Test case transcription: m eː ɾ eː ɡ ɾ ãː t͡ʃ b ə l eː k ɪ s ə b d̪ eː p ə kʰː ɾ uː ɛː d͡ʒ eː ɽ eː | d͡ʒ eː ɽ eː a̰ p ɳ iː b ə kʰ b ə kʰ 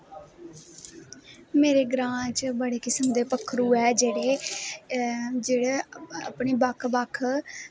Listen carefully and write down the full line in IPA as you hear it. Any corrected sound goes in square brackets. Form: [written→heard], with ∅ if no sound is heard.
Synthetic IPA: m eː ɾ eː ɡ ɾ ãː t͡ʃ b ə [l→ɽ] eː k ɪ s ə [b→m] d̪ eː p ə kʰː ɾ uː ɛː d͡ʒ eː ɽ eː | d͡ʒ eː ɽ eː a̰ p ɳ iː b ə kʰ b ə kʰ